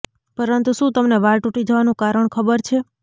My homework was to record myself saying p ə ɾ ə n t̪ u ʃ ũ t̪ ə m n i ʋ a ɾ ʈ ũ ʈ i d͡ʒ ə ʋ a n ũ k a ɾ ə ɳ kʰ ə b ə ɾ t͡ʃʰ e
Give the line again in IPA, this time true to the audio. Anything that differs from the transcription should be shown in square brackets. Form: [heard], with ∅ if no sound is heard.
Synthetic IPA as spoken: p ə ɾ ə n t̪ u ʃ ũ t̪ ə m n [e] ʋ a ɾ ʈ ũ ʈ i d͡ʒ ə ʋ a n ũ k a ɾ ə ɳ kʰ ə b ə ɾ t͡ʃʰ e